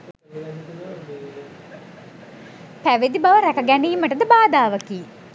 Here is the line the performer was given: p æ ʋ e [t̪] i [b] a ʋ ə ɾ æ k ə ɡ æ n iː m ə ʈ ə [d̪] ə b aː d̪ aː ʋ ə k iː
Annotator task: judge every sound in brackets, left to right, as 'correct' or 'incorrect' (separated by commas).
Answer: incorrect, correct, correct